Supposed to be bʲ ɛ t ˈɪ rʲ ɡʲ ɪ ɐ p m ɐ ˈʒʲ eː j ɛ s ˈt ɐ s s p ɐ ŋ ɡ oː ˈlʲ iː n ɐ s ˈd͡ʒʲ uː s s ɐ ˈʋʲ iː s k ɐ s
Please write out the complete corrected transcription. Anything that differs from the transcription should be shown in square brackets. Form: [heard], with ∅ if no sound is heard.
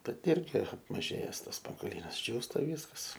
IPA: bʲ ɛ t ˈɪ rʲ ɡʲ ɪ ɐ p m ɐ ˈʒʲ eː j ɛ s ˈt ɐ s s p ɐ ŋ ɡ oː ˈlʲ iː n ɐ s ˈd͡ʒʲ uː s [t] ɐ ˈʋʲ iː s k ɐ s

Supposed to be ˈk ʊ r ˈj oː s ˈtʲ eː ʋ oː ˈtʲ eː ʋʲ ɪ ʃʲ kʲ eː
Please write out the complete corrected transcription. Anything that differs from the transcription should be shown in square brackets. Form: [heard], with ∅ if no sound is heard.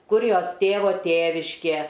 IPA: ˈk ʊ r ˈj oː s ˈtʲ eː ʋ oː ˈtʲ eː ʋʲ ɪ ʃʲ kʲ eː

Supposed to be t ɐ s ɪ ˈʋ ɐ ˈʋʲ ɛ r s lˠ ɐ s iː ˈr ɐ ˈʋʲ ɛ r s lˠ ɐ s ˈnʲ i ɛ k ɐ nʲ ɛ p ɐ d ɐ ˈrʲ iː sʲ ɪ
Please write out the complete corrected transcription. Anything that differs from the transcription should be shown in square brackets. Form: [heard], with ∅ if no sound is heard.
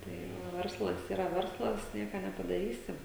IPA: t ɐ [∅] ɪ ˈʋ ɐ ˈʋʲ ɛ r s lˠ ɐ s iː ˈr ɐ ˈʋʲ ɛ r s lˠ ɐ s ˈnʲ i ɛ k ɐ nʲ ɛ p ɐ d ɐ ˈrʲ iː sʲ ɪ

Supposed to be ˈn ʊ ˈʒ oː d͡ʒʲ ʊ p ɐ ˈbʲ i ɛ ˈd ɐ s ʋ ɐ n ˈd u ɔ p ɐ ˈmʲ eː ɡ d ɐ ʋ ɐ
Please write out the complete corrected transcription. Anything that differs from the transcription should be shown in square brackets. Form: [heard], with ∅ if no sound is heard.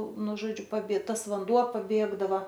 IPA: ˈn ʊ ˈʒ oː d͡ʒʲ ʊ p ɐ ˈbʲ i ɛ [ˈt] ɐ s ʋ ɐ n ˈd u ɔ p ɐ [ˈbʲ] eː ɡ d ɐ ʋ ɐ

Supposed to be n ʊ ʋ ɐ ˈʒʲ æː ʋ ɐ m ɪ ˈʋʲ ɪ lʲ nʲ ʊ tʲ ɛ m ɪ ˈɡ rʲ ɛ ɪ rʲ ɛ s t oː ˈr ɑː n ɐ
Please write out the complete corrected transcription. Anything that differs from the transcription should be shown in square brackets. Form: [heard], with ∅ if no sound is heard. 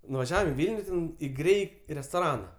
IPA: n ʊ ʋ ɐ ˈʒʲ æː ʋ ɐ m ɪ ˈʋʲ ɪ lʲ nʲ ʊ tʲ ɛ [n] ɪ ˈɡ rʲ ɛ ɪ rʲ ɛ s t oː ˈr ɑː n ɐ

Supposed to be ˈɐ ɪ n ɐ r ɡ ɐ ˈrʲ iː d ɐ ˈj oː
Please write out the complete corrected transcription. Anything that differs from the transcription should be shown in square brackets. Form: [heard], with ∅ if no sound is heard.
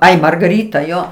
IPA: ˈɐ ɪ [m] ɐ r ɡ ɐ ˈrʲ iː [t] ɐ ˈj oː

